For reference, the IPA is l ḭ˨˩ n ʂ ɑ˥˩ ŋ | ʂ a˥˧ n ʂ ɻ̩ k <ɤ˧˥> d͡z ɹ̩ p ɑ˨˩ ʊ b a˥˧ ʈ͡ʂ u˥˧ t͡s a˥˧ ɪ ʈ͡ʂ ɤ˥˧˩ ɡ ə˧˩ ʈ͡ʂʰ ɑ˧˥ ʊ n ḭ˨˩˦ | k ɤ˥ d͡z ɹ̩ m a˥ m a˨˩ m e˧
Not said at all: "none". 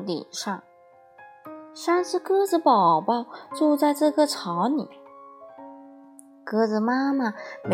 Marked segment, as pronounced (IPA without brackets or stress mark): ɤ˥